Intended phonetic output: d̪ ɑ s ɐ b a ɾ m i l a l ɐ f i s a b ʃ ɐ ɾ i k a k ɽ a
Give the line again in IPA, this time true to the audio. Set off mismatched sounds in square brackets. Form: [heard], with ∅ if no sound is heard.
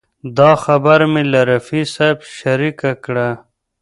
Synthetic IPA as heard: d̪ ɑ [x] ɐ b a ɾ m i l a [ɾ] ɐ f i s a b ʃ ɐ ɾ i k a k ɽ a

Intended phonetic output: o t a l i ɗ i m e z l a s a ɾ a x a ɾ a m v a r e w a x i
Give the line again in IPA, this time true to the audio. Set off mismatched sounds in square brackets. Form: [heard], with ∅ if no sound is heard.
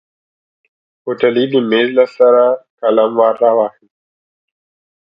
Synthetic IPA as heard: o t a l i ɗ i m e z l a s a ɾ a [k] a [l] a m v a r [a] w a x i

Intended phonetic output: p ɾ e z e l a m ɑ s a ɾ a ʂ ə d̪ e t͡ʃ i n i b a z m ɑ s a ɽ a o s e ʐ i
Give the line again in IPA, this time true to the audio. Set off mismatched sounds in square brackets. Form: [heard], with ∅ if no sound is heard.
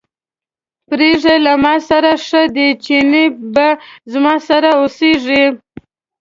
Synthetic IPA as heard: p ɾ e [ʐ] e l a m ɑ s a ɾ a ʂ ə d̪ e t͡ʃ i n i b a z m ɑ s a [ɾ] a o s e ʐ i

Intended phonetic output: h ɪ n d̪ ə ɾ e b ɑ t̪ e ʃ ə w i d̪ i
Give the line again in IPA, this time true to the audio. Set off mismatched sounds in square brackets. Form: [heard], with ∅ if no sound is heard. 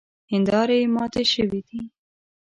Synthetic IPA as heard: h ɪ n d̪ [ɑ] ɾ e [m] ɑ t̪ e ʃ ə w i d̪ i

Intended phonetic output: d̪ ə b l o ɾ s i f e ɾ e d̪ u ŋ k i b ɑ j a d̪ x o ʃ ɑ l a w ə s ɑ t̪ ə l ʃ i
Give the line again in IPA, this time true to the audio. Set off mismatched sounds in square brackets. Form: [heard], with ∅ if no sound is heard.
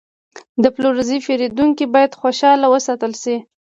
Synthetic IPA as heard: d̪ ə [p] l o ɾ [z] i f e ɾ e d̪ u ŋ k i b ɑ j a d̪ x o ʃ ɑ l a w ə s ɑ t̪ ə l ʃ i

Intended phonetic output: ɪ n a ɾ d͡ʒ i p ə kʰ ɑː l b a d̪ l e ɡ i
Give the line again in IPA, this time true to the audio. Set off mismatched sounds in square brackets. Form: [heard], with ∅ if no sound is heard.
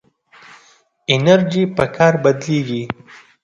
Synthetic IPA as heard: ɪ n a ɾ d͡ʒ i p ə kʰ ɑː [ɾ] b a d̪ l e ɡ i

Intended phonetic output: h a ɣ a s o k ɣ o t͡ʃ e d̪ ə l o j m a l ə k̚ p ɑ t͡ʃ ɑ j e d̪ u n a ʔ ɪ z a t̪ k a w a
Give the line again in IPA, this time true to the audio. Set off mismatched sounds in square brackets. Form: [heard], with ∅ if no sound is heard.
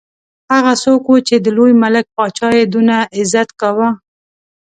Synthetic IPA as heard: h a ɣ a s o k [w] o t͡ʃ e d̪ ə l o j m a l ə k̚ p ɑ t͡ʃ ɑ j e d̪ u n a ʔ ɪ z a t̪ k a w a

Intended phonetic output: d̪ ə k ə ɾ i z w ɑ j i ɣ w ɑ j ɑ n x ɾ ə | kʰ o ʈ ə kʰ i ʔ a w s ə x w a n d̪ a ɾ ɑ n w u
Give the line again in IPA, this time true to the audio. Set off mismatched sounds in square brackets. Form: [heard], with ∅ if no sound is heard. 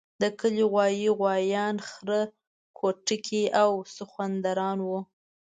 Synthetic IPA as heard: d̪ ə k ə [l] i [ɣ] w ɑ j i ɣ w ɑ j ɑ n x ɾ ə | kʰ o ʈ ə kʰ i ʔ a w s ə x w a n d̪ a ɾ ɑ n w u

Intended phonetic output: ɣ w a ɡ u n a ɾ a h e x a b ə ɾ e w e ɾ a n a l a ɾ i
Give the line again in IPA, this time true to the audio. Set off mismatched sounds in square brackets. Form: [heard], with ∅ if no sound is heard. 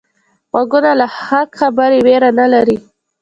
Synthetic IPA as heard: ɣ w a ɡ u n a [l] a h [a] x a b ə ɾ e w e ɾ a n a l a ɾ i

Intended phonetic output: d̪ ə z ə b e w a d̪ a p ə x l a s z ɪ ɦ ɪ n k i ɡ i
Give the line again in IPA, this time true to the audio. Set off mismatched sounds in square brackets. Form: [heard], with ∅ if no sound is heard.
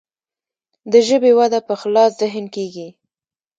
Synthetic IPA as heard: d̪ ə [ʒ] ə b e w a d̪ a p ə x l [ɑ] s z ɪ ɦ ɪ n k [e] ɡ i

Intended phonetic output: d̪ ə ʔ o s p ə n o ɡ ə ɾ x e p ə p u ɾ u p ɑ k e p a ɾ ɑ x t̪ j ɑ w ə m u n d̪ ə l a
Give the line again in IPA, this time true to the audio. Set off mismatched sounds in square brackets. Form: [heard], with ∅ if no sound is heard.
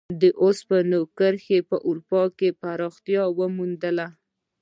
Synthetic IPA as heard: d̪ ə ʔ o s p ə n o [k] ə ɾ x e p ə [ʔ] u ɾ u p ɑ k e p a ɾ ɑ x t̪ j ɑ w ə m u n d̪ ə l a

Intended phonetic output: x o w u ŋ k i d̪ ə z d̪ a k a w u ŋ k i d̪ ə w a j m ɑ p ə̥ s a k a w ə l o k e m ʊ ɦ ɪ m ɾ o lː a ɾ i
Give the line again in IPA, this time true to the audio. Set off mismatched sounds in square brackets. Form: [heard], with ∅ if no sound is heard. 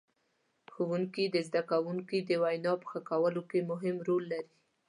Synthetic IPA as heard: x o w u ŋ k i d̪ ə z d̪ a k a w u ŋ k i d̪ ə w a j [n] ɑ p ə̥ [x] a k a w ə l o k e m ʊ ɦ ɪ m ɾ o lː a ɾ i

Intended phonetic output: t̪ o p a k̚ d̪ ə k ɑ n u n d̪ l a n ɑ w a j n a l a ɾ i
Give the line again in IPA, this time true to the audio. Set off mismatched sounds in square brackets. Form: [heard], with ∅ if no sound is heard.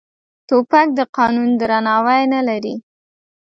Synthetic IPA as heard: t̪ o p a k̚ d̪ ə [q] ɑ n u n d̪ [ɾ] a n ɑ w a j n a l a ɾ i

